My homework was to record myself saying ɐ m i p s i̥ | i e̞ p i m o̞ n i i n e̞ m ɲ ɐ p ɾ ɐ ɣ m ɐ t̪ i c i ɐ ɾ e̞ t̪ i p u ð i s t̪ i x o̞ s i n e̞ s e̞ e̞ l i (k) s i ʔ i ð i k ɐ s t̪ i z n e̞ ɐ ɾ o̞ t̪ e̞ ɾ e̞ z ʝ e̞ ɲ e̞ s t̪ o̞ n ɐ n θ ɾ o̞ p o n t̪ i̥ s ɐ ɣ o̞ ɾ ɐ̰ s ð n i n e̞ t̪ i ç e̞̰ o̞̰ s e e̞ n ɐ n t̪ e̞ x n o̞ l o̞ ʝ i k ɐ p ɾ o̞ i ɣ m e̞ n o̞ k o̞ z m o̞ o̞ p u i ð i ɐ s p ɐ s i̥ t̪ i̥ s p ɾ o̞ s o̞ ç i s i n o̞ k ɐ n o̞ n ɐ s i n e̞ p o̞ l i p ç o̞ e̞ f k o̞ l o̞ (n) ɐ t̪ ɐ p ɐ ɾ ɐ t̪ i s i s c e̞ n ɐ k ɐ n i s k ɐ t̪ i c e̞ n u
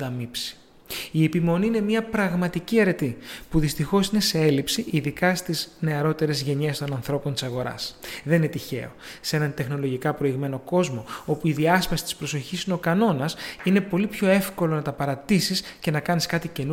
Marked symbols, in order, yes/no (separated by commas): no, yes